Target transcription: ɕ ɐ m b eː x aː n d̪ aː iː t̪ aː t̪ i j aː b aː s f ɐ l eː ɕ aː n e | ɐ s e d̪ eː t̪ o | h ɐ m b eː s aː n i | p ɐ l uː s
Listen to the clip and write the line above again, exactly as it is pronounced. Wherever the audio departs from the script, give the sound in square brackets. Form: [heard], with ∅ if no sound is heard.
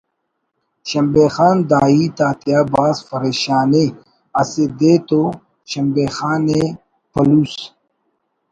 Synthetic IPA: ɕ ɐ m b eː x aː n d̪ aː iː t̪ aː t̪ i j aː b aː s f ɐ [ɾ] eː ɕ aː n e | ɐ s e d̪ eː t̪ o | [ɕ] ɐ m b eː [x] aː n [e] | p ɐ l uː s